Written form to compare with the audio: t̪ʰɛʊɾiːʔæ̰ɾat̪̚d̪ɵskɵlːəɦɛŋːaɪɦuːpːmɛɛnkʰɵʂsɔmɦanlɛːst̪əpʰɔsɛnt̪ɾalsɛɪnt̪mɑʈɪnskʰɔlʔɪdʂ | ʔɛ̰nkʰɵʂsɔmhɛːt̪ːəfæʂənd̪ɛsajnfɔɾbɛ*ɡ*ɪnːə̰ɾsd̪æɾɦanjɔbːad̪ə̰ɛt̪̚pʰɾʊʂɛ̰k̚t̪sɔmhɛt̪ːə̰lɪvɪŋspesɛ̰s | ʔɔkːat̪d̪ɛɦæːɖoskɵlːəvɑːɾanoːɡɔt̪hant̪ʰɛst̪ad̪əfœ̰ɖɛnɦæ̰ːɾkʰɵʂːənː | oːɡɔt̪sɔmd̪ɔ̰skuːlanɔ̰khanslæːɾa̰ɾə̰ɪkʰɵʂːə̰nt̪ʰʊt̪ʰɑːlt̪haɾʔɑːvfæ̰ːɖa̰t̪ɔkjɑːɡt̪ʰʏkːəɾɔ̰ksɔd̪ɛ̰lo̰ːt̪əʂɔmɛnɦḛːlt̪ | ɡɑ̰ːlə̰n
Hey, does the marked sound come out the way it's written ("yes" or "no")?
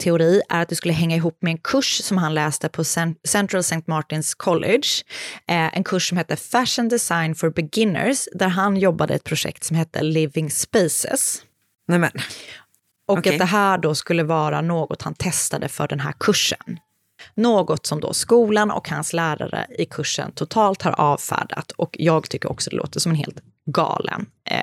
yes